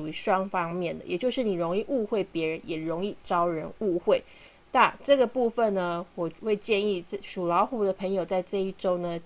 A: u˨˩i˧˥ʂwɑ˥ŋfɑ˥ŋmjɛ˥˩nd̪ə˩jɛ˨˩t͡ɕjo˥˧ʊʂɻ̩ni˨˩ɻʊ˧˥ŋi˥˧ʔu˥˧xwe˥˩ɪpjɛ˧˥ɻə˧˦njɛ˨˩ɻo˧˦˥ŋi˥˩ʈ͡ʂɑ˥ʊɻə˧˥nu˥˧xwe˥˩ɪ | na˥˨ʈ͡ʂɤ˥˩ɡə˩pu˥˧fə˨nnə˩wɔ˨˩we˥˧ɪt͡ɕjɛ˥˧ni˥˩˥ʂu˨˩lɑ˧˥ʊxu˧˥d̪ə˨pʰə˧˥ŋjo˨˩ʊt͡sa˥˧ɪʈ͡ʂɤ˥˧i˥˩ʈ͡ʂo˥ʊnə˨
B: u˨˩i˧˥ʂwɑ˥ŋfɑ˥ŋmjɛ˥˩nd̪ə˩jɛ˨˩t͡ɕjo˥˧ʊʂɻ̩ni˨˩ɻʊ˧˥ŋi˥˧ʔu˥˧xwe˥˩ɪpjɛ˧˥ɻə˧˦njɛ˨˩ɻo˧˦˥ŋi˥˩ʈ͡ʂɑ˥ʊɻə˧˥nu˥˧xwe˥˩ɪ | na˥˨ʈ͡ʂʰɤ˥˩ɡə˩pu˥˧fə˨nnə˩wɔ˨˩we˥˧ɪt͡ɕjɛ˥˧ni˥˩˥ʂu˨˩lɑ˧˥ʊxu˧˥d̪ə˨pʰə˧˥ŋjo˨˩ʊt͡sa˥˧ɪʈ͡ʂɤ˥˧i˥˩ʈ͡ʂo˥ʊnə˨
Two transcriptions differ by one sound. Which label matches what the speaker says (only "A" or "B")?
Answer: A